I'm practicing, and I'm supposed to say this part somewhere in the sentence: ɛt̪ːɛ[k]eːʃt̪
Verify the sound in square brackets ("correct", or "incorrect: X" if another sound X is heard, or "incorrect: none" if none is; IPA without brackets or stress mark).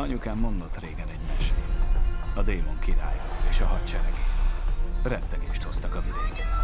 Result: incorrect: ɡ